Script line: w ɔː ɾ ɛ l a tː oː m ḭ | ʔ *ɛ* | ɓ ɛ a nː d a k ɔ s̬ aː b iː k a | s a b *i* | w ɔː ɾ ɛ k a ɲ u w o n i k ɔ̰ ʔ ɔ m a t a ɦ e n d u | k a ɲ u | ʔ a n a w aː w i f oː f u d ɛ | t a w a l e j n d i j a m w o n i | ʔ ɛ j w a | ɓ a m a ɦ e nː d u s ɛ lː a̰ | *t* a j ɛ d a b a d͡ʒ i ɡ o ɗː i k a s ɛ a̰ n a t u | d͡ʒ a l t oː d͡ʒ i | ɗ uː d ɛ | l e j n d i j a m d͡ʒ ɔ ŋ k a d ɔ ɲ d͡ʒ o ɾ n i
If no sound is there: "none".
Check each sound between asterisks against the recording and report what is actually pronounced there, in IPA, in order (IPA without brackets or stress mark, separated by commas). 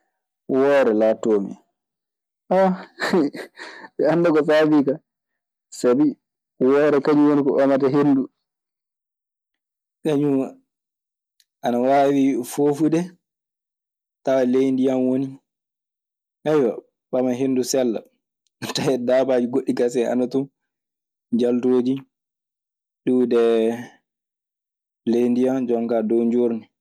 a, i, t